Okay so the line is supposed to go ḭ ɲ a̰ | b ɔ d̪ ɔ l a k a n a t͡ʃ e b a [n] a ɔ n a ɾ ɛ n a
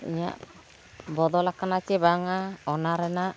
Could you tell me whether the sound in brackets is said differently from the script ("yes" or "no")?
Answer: yes